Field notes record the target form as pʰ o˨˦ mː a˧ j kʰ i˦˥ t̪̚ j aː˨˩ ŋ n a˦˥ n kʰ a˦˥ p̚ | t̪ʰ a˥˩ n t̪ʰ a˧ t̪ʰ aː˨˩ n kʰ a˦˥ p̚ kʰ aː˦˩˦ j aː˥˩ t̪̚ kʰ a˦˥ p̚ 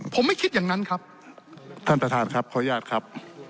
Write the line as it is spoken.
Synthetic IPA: pʰ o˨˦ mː a˥˩ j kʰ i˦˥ t̪̚ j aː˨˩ ŋ n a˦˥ n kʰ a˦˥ p̚ | t̪ʰ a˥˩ n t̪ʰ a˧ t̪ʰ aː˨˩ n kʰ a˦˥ p̚ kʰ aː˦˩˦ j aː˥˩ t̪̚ kʰ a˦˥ p̚